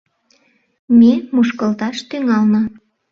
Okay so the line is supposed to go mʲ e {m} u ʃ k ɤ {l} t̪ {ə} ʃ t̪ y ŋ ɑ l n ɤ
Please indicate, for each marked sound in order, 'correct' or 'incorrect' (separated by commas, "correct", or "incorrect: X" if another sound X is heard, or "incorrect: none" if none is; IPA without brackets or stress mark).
correct, correct, incorrect: ɑ